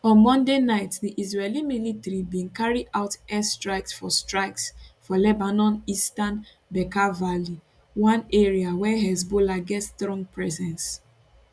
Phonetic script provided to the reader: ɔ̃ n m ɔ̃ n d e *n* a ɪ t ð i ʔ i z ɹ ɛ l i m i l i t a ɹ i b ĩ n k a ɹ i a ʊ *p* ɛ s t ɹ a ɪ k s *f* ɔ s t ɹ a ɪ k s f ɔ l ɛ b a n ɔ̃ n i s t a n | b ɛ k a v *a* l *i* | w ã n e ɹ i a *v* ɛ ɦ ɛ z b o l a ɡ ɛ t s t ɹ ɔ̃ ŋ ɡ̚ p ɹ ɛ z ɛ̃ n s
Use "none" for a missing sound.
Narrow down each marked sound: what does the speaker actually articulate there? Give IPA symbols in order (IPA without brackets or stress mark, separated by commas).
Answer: n, t, f, a, i, w